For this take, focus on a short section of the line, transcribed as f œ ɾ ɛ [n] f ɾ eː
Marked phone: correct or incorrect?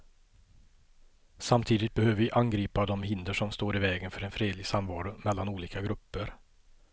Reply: correct